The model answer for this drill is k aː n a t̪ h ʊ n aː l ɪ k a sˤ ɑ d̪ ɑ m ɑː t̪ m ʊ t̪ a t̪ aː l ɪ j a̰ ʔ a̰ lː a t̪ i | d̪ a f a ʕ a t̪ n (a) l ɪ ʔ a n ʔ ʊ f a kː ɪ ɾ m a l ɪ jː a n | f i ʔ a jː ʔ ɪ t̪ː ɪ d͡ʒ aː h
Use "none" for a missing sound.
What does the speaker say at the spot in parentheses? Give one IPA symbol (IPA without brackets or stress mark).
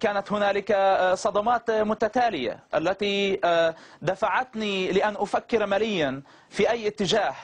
i